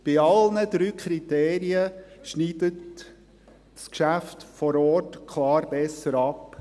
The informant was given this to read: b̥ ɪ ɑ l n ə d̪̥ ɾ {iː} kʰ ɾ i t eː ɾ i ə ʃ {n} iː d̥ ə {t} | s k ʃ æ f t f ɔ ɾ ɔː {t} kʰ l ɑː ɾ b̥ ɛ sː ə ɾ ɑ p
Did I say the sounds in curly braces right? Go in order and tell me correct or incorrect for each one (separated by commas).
incorrect, correct, correct, correct